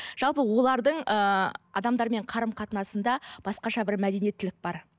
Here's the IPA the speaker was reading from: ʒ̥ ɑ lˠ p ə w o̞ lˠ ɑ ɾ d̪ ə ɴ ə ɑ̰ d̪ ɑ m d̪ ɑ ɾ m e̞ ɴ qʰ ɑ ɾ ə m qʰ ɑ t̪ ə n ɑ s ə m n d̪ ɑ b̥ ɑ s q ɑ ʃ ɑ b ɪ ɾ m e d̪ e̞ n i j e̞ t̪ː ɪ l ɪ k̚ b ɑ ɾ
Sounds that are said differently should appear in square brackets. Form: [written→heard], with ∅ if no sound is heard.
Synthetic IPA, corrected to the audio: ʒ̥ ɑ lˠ p ə w o̞ lˠ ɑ ɾ d̪ ə ɴ ə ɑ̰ d̪ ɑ m d̪ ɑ ɾ m e̞ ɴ qʰ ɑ ɾ ə m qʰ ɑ t̪ ə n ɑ s ə [m→∅] n d̪ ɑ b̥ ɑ s q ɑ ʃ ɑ b ɪ ɾ m [e→æ] d̪ e̞ n i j e̞ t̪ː ɪ l ɪ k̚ b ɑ ɾ

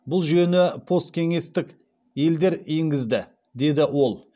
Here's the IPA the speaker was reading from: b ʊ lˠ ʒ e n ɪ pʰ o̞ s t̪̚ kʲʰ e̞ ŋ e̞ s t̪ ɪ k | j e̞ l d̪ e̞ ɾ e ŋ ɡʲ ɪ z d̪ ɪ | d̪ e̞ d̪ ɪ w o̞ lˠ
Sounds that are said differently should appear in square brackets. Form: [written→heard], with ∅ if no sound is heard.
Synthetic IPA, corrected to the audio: b ʊ lˠ ʒ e n ɪ pʰ o̞ s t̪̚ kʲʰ e̞ ŋ e̞ s t̪ ɪ k | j e̞ l d̪ e̞ ɾ e ŋ ɡʲ ɪ z d̪ ɪ | d̪ e̞ d̪ ɪ w o̞ lˠ

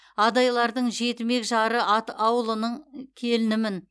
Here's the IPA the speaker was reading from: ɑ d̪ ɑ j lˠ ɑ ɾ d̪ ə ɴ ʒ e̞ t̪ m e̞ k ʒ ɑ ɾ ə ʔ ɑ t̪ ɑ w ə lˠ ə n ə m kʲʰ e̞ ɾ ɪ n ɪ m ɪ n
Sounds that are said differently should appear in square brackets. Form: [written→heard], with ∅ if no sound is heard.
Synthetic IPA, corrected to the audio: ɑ d̪ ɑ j lˠ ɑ ɾ d̪ ə ɴ ʒ e̞ t̪ m e̞ k ʒ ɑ ɾ ə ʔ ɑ t̪ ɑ w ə lˠ ə n ə [m→ɴ] kʲʰ e̞ [ɾ→l] ɪ n ɪ m ɪ n

